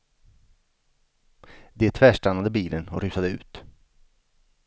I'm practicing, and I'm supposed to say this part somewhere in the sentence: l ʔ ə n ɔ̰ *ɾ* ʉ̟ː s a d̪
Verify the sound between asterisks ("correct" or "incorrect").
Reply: correct